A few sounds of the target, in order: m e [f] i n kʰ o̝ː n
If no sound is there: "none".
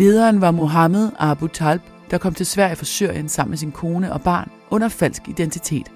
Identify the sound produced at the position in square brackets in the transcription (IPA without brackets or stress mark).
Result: s